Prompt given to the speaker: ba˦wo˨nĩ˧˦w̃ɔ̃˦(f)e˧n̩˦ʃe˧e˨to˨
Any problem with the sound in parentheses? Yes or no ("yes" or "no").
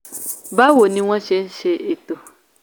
yes